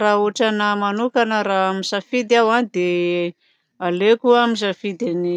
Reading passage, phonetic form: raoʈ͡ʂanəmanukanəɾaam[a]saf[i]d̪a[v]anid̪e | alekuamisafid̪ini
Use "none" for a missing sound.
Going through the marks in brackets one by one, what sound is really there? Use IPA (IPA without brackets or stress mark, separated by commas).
i, i, w